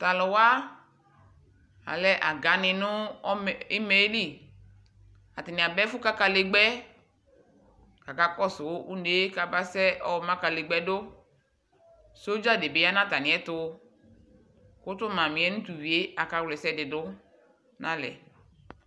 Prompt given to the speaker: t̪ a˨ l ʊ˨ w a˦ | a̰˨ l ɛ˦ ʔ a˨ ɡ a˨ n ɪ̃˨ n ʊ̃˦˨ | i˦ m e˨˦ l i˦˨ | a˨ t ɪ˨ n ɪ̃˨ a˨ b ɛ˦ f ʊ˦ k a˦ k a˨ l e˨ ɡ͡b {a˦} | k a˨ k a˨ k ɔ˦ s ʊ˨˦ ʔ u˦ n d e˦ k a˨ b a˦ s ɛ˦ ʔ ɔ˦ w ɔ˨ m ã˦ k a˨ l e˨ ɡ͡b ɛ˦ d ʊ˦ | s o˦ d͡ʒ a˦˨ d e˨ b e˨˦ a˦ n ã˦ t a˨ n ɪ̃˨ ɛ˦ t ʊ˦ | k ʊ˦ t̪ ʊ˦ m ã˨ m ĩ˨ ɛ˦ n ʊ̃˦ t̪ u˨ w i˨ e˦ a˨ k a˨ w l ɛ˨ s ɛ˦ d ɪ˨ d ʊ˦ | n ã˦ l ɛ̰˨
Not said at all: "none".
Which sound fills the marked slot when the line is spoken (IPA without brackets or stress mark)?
ɛ˦